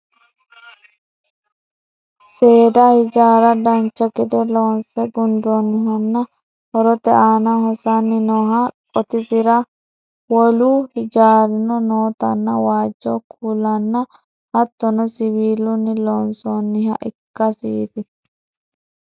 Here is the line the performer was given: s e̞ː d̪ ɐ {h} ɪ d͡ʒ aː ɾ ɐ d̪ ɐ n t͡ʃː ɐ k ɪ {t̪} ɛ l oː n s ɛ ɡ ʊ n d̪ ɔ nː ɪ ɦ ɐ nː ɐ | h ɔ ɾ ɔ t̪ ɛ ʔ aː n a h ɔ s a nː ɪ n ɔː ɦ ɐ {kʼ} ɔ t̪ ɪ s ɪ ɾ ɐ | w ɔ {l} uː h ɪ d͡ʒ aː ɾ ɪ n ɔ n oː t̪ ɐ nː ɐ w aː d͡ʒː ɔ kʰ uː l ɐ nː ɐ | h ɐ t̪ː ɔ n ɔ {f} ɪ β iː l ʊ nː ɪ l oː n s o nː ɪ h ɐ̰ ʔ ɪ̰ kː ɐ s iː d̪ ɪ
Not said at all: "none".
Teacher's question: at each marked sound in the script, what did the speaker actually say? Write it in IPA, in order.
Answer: h, d̪, kʼ, l, s

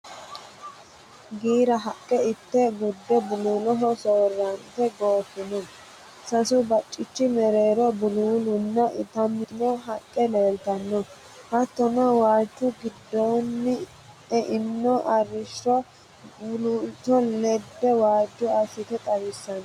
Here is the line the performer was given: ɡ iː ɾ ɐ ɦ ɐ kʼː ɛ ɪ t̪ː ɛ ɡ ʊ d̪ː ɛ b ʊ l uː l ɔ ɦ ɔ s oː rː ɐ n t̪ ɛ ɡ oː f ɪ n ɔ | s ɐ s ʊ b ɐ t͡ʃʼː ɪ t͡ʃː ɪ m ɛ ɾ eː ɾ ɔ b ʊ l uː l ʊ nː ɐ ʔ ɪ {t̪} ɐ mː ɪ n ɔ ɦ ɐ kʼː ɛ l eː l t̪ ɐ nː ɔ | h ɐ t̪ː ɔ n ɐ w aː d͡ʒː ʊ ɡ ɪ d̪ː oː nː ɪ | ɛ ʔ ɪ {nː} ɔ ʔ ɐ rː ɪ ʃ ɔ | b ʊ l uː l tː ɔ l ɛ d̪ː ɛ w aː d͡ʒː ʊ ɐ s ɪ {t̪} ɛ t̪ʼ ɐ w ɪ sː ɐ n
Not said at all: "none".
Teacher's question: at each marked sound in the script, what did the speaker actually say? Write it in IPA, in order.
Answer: t̪, nː, t̪

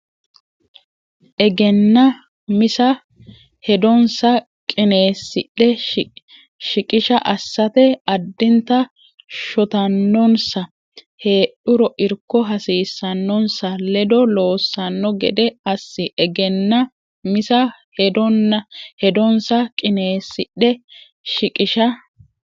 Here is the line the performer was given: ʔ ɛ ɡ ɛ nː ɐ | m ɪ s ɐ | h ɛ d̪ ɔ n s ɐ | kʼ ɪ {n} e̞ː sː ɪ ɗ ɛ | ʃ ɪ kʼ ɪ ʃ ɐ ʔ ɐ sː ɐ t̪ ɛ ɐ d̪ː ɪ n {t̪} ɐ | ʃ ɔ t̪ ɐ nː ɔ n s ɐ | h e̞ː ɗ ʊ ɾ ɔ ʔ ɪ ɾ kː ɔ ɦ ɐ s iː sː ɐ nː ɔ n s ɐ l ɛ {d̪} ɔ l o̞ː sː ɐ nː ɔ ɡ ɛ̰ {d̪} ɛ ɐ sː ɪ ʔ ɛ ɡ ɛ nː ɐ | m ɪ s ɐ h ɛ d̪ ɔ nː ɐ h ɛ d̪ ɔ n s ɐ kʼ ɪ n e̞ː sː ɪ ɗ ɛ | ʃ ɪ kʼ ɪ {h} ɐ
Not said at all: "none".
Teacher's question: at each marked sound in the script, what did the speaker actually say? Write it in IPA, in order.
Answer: n, t̪, d̪, d̪, ʃ

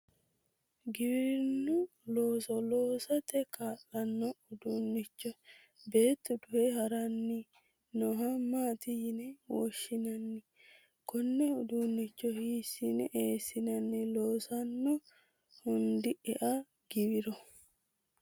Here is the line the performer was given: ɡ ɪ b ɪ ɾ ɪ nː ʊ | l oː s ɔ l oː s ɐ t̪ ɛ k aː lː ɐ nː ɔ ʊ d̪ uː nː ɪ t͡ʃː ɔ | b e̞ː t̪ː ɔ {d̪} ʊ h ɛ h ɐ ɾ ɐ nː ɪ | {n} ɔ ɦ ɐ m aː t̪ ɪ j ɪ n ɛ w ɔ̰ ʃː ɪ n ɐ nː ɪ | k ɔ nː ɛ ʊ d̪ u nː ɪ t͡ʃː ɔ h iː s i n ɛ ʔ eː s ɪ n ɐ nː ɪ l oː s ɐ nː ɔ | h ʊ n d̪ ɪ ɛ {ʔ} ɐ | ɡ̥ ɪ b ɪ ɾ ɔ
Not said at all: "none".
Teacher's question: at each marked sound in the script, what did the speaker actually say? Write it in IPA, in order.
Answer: d̪, n, ʔ

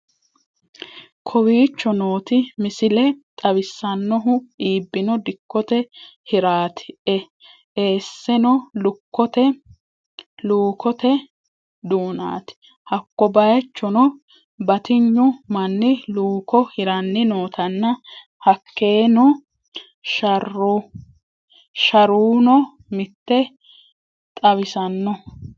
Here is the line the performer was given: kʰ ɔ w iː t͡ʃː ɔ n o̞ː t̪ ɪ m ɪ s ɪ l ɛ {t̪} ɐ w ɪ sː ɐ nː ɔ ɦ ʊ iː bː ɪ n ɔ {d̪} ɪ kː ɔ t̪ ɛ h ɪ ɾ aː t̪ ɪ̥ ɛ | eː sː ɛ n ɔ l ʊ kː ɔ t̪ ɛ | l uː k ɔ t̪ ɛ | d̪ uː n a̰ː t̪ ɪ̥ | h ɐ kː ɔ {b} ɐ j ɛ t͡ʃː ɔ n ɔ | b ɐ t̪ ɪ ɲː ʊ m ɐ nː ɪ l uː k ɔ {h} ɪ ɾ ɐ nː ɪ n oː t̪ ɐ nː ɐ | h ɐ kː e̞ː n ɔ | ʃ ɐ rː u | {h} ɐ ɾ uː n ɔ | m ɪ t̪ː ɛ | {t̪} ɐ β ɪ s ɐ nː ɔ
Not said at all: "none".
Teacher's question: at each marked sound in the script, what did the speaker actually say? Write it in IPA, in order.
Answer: t̪ʼ, d̪, b, h, ʃ, t̪ʼ

